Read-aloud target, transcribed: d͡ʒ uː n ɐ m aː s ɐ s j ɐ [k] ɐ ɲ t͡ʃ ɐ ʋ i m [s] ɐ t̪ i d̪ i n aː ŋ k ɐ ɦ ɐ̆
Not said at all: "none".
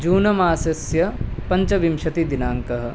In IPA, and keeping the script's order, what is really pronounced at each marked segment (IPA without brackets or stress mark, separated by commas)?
p, ʃ